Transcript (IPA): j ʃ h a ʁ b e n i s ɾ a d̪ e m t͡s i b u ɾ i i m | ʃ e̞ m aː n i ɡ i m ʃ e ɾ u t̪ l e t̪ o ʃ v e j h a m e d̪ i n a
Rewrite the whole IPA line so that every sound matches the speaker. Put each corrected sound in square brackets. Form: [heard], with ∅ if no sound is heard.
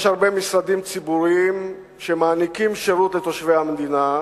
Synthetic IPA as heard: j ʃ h a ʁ b e [m] i s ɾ a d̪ [i] m t͡s i b u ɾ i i m | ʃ e̞ m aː n i [k] i m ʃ e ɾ u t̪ l e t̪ o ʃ v e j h a m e d̪ i n a